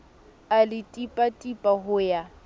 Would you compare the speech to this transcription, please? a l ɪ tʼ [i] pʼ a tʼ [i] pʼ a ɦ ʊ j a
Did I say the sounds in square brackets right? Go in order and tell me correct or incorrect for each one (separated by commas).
correct, correct